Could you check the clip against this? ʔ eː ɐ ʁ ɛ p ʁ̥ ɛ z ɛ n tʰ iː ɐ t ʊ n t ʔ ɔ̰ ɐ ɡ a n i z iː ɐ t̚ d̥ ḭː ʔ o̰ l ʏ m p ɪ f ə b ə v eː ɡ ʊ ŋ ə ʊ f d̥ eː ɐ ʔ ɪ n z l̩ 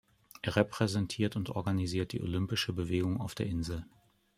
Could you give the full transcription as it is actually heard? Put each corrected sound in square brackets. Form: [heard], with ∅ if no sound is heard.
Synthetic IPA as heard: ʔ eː ɐ ʁ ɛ p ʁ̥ ɛ z ɛ n tʰ iː ɐ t ʊ n t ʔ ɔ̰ ɐ ɡ a n i z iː ɐ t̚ d̥ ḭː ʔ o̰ l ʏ m p ɪ [ʃ] ə b ə v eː ɡ ʊ ŋ [a] ʊ f d̥ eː ɐ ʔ ɪ n z l̩